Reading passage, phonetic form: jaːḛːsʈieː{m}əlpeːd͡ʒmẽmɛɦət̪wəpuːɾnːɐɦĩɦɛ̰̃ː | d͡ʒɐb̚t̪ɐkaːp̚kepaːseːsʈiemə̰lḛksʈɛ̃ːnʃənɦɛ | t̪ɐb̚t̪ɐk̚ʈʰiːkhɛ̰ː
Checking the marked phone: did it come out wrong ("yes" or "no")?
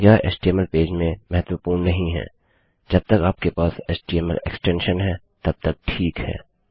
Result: no